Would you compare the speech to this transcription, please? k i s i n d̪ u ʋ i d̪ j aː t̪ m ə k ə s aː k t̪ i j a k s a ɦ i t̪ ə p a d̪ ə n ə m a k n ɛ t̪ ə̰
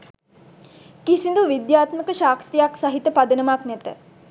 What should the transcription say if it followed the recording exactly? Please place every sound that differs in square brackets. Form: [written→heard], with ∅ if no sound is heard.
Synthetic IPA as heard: k i s i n d̪ u ʋ i d̪ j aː t̪ m ə k ə [s→ʃ] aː k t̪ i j a k s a ɦ i t̪ ə p a d̪ ə n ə m a k n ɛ t̪ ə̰